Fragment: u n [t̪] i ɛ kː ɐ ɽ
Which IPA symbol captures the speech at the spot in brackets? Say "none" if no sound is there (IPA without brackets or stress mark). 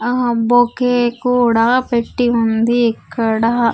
d̪